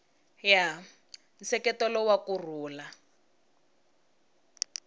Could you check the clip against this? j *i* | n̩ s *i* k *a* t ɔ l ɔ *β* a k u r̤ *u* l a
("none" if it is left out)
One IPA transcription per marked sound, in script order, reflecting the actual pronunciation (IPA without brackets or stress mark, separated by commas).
a, ɛ, ɛ, w, uː